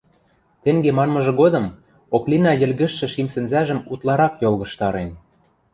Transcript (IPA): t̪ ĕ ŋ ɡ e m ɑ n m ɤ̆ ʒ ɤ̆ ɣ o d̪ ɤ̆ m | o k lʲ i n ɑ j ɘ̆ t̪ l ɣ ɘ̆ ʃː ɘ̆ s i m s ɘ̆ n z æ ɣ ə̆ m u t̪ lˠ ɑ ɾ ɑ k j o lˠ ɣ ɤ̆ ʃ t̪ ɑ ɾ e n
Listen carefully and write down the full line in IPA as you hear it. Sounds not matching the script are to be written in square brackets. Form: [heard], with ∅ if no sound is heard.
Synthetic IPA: t̪ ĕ ŋ ɡ e m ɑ n m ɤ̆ ʒ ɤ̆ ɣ o d̪ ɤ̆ m | o k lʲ i n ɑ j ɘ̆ [∅] l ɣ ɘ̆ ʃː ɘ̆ [ʃ] i m s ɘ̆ n z æ [ʒ] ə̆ m u t̪ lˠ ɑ ɾ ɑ k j o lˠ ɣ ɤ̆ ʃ t̪ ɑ ɾ e n